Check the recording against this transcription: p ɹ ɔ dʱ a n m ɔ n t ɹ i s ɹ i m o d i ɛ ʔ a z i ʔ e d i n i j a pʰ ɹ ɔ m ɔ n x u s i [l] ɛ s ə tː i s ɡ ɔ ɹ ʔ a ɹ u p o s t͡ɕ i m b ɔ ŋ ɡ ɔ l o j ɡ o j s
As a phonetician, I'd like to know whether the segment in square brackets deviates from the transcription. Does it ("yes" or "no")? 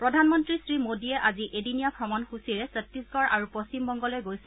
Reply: yes